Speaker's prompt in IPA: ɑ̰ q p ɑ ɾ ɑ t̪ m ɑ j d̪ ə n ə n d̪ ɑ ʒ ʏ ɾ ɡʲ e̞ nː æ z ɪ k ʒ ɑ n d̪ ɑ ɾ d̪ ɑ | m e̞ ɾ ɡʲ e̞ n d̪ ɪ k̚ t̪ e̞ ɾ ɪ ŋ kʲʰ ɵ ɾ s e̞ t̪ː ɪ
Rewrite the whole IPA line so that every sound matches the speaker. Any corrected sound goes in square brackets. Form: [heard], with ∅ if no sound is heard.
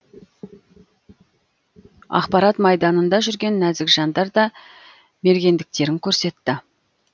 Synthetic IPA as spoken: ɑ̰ q p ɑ ɾ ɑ t̪ m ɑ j d̪ [ɑ] n ə n d̪ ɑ ʒ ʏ ɾ ɡʲ e̞ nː æ z ɪ k ʒ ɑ n d̪ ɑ ɾ d̪ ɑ | m e̞ ɾ ɡʲ e̞ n d̪ ɪ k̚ t̪ e̞ ɾ ɪ ŋ kʲʰ ɵ ɾ s e̞ t̪ː ɪ